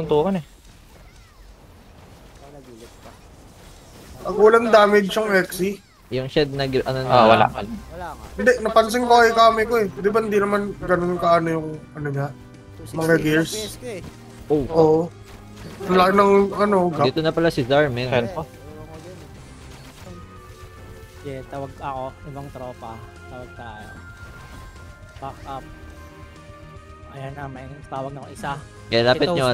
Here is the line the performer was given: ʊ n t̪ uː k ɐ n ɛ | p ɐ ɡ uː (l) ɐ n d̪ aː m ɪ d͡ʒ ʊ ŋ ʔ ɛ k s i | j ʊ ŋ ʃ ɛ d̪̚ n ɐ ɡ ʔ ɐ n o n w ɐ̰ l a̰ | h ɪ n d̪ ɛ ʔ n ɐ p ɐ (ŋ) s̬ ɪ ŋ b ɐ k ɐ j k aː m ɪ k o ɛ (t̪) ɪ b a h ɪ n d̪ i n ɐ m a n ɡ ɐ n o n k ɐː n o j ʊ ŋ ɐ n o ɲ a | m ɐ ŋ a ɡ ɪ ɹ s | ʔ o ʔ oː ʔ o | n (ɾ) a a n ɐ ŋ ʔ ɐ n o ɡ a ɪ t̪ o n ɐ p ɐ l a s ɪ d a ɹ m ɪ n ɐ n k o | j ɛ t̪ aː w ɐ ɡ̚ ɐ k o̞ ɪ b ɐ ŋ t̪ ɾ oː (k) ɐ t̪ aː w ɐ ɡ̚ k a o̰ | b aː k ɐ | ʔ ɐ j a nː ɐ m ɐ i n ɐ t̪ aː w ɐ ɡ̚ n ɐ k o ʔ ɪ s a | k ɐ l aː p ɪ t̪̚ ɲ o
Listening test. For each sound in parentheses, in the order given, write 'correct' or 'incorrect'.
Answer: correct, incorrect: n, incorrect: d̪, incorrect: l, incorrect: p

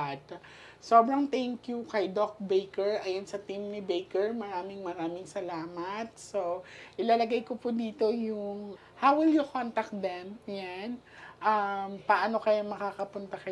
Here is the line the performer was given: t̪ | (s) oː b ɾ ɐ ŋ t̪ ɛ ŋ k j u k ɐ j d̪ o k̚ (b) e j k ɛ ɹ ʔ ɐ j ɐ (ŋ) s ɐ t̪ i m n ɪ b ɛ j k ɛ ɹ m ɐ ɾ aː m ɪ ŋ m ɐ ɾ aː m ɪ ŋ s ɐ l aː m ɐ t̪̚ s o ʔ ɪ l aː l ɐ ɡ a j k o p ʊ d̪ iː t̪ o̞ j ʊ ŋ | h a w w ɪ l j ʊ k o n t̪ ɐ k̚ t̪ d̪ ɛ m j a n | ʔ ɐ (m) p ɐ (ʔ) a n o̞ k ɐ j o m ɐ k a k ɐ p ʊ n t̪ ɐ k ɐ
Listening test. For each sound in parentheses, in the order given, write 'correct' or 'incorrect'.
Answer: correct, correct, incorrect: n, correct, correct

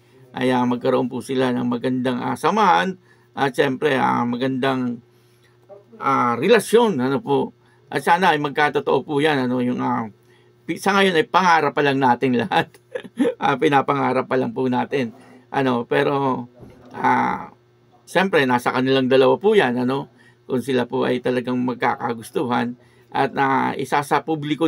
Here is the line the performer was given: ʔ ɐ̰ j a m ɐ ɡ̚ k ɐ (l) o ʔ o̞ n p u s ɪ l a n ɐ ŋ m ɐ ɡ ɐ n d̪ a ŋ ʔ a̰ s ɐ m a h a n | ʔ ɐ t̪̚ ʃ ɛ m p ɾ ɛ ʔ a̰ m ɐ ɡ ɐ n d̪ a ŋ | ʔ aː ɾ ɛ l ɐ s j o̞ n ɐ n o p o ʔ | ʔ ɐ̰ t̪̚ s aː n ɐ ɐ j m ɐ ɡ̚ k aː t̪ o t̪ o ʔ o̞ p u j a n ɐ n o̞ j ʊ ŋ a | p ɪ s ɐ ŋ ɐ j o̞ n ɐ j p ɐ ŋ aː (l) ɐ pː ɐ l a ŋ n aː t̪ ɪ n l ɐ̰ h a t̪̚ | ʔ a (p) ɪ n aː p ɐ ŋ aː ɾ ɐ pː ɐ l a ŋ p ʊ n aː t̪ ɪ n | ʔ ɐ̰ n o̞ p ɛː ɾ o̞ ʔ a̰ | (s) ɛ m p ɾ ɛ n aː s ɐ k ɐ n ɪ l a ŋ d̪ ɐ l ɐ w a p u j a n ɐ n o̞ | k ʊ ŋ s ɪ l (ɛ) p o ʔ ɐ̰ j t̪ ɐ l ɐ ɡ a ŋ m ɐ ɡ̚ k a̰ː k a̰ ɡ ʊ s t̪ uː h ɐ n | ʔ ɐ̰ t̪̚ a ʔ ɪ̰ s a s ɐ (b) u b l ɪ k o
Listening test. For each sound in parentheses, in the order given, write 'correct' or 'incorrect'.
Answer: incorrect: ɾ, incorrect: ɾ, correct, incorrect: ʃ, incorrect: a, incorrect: p

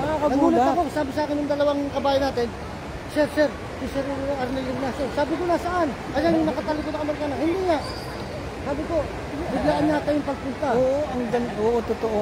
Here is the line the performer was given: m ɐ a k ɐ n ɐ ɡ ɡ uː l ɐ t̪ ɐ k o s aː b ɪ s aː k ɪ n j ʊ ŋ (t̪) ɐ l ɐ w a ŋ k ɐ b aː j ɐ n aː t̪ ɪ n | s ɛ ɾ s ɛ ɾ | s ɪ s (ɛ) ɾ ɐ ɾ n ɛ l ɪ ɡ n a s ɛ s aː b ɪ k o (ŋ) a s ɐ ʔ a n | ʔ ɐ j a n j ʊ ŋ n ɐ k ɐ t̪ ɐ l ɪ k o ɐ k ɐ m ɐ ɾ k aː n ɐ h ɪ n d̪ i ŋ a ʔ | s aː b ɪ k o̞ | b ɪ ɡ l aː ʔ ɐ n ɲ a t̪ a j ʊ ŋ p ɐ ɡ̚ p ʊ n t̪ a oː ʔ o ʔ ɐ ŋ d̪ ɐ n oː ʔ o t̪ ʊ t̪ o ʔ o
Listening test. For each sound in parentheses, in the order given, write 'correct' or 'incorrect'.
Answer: incorrect: d̪, correct, incorrect: n

